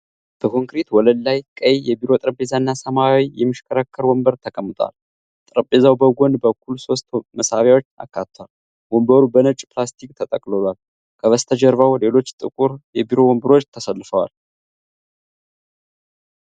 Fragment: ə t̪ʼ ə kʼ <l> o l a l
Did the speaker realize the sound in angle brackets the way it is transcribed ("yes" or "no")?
yes